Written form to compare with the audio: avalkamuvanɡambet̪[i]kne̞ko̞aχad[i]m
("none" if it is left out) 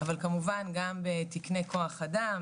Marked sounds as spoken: i, a

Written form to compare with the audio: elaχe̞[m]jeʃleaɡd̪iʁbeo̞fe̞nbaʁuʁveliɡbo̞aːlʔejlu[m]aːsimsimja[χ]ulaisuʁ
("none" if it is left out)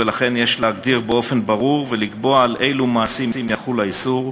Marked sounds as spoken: n, m, χ

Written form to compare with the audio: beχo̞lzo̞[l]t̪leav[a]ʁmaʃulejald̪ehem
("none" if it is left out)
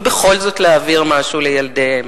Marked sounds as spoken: none, i

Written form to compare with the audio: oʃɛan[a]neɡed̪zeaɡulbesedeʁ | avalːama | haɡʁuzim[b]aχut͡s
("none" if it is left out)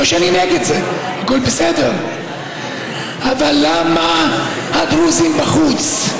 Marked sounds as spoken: i, b

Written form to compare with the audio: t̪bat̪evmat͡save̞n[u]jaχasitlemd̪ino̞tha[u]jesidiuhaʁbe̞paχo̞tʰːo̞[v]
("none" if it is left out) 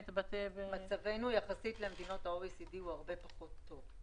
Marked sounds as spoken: u, o, v

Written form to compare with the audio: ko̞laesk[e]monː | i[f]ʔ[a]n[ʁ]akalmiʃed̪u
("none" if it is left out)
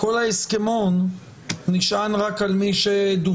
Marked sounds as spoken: e, ʃ, a, ʁ

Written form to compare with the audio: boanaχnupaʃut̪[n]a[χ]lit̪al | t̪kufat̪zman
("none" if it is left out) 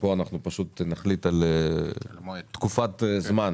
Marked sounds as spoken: n, χ

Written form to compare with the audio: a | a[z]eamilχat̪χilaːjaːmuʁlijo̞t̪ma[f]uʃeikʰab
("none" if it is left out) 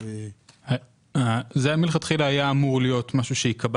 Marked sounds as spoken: z, ʃ

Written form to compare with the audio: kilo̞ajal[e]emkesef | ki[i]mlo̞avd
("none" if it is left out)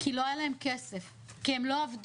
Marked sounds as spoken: a, e

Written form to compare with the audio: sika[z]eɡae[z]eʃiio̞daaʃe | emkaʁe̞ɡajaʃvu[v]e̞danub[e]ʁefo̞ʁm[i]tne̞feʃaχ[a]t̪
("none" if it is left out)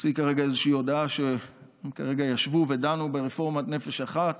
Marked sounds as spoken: ʁ, z, v, e, a, a

